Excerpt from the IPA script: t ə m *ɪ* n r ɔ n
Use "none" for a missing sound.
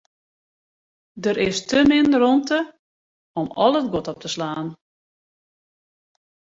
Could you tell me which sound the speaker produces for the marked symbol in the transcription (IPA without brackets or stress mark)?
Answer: ɪ